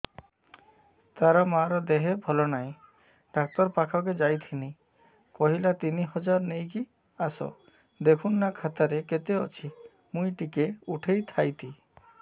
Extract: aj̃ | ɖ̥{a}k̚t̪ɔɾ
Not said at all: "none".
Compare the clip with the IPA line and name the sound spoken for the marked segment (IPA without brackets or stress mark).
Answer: a